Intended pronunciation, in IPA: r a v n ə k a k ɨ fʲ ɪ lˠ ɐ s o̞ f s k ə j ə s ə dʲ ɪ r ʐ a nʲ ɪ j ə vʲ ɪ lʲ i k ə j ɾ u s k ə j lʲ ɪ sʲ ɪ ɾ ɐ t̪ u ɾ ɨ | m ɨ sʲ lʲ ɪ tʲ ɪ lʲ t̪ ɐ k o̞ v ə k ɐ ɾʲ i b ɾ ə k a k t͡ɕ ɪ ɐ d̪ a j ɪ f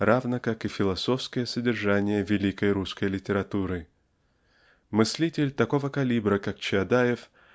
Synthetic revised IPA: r a v n ə k a k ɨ fʲ ɪ lˠ ɐ s o̞ f s k ə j ə s ə dʲ ɪ r ʐ a nʲ ɪ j ə vʲ ɪ lʲ i k ə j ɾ u s k ə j lʲ ɪ tʲ ɪ ɾ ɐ t̪ u ɾ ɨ | m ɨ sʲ lʲ i tʲ ɪ lʲ t̪ ɐ k o̞ v ə k ɐ lʲ i b ɾ ə k a k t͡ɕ ɪ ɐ d̪ a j ɪ f

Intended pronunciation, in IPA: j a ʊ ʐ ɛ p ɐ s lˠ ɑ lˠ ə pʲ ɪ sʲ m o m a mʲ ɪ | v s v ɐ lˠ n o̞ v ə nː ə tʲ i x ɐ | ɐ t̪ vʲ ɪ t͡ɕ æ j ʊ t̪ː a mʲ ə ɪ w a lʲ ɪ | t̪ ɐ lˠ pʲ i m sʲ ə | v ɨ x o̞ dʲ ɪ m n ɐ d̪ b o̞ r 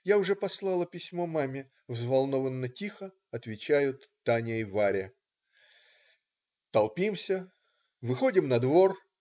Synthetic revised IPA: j a ʊ ʐ ɛ p ɐ s lˠ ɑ lˠ ə pʲ ɪ sʲ m o m a mʲ ɪ | v z v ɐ lˠ n o̞ v ə nː ə tʲ i x ə | ɐ t̪ vʲ ɪ t͡ɕ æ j ʊ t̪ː a nʲ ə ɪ v a ɾʲ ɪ | t̪ ɐ lˠ pʲ i m sʲ ə | v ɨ x o̞ dʲ ɪ m n ɐ d̪ v o̞ r

